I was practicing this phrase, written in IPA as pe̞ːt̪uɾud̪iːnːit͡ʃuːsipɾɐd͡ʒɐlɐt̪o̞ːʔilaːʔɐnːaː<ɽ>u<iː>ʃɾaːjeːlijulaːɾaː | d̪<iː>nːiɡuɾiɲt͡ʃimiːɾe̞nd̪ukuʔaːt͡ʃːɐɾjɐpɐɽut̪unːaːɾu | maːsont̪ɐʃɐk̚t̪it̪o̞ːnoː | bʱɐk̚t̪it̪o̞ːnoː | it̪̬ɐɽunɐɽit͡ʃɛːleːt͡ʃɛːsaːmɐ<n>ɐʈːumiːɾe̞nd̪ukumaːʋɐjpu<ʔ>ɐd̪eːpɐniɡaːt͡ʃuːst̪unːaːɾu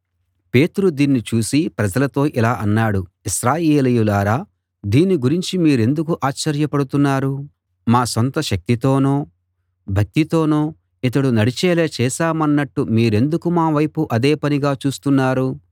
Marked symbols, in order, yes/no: yes, no, yes, no, yes

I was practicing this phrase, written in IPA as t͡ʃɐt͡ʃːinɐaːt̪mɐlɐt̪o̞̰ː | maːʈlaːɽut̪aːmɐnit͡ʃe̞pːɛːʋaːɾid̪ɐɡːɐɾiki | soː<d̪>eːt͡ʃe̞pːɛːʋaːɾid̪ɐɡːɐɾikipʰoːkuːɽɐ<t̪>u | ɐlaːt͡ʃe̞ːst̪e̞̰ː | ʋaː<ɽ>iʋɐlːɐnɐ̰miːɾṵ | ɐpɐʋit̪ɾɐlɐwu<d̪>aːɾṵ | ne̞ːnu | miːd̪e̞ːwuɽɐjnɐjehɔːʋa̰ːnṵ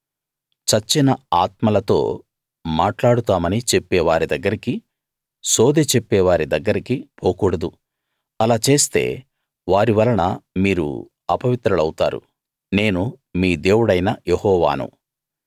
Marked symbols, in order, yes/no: yes, no, no, no

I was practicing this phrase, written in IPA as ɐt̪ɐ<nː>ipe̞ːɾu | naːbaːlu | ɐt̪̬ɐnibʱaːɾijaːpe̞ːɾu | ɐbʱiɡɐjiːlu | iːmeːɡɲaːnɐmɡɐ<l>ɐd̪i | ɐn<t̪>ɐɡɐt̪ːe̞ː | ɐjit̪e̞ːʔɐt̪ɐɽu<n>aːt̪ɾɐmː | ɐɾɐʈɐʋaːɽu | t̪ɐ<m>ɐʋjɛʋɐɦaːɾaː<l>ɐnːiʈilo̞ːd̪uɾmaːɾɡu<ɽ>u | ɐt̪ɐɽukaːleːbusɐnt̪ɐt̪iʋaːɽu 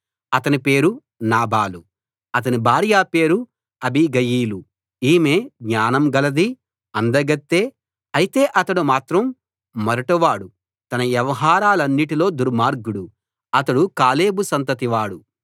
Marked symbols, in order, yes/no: no, yes, no, no, no, yes, yes

